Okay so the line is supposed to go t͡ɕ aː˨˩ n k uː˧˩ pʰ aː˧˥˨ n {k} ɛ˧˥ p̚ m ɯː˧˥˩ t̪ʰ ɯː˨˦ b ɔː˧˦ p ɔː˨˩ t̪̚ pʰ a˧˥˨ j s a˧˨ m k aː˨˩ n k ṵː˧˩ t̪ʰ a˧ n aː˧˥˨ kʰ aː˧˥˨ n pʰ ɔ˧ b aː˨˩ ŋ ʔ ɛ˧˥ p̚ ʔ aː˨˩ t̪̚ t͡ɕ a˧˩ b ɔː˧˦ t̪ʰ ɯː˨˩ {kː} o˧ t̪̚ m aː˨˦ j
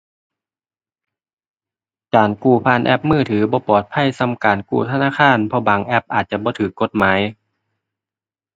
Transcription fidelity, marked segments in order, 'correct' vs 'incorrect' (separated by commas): incorrect, correct